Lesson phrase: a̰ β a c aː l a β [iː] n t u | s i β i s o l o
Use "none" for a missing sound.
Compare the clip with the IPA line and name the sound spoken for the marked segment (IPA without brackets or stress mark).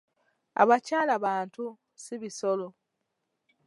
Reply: aː